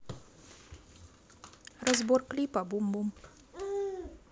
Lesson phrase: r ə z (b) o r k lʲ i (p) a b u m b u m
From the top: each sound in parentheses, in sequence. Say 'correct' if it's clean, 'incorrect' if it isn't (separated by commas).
correct, correct